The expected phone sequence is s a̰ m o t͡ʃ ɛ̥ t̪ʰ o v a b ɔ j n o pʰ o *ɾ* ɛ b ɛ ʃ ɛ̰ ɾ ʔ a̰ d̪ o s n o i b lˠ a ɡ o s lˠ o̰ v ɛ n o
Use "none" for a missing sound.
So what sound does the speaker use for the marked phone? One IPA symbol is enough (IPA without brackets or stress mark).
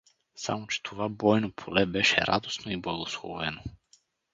l